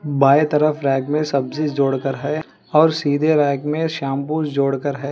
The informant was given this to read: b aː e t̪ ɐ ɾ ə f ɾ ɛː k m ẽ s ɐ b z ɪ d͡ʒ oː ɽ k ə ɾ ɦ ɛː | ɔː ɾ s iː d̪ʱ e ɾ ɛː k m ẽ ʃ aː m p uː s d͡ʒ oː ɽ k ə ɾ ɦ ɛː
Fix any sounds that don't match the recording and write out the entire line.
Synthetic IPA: b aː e t̪ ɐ ɾ ə f ɾ ɛː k m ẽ s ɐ b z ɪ d͡ʒ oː ɽ k ə ɾ ɦ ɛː | ɔː ɾ s iː d̪ʱ e ɾ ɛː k m ẽ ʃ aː m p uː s d͡ʒ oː ɽ k ə ɾ ɦ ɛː